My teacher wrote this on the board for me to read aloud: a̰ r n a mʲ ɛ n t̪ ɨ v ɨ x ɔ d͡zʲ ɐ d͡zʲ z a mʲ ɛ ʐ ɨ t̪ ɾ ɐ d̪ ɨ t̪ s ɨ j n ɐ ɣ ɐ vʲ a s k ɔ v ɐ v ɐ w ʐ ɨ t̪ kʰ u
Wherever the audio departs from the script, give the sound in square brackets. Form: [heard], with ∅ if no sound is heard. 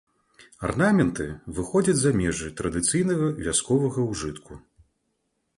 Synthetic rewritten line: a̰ r n a mʲ ɛ n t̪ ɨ v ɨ x ɔ d͡zʲ ɐ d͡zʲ z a mʲ ɛ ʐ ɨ t̪ ɾ ɐ d̪ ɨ t̪ s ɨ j n ɐ ɣ ɐ vʲ a s k ɔ v ɐ [ɣ] ɐ w ʐ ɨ t̪ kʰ u